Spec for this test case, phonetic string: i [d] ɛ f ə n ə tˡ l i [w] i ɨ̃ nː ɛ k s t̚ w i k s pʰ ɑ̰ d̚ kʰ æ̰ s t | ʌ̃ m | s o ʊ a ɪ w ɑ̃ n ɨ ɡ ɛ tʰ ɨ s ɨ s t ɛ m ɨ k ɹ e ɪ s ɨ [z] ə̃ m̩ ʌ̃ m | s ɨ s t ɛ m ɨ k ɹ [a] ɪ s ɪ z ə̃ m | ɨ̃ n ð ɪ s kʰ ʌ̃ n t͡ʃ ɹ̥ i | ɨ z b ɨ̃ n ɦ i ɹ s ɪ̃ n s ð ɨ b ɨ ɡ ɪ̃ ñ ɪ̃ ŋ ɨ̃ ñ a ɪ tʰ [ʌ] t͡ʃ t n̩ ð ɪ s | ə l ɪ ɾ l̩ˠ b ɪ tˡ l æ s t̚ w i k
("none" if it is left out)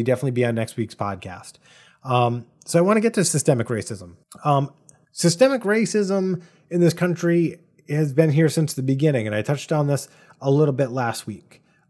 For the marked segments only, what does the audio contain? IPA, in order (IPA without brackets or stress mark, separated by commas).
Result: d, b, z, e, ʌ